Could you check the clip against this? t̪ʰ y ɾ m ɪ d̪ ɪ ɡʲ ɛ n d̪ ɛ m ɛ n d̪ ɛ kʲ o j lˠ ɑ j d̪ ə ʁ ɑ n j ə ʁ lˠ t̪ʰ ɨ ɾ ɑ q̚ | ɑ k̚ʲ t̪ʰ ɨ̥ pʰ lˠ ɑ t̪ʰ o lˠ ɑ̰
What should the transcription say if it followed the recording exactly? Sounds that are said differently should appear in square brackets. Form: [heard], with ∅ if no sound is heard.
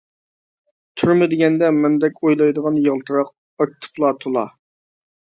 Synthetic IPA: t̪ʰ y ɾ m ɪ d̪ ɪ ɡʲ ɛ n d̪ ɛ m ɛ n d̪ ɛ kʲ o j lˠ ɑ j d̪ ə ʁ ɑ n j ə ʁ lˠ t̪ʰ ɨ ɾ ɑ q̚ | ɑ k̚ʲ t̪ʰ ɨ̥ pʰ lˠ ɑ t̪ʰ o lˠ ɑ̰